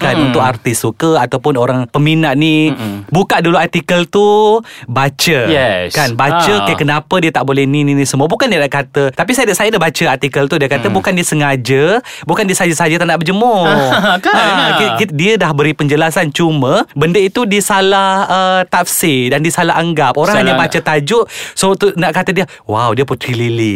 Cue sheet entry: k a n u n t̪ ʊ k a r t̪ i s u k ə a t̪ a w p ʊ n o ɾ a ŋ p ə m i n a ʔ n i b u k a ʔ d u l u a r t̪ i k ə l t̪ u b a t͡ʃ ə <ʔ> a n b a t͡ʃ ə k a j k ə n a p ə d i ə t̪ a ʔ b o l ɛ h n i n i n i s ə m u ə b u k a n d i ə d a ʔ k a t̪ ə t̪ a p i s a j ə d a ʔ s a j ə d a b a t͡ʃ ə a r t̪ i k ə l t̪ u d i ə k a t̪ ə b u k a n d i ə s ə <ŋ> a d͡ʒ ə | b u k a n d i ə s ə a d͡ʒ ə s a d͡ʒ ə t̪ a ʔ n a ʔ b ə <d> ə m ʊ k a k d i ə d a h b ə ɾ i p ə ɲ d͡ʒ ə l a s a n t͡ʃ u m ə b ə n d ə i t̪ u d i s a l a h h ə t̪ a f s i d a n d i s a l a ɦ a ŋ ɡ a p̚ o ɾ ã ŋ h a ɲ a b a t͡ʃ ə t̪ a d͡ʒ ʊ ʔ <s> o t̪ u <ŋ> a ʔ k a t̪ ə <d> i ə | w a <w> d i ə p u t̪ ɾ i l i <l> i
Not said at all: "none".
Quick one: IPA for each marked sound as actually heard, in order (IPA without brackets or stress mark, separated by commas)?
k, ŋ, d͡ʒ, s, n, d, w, l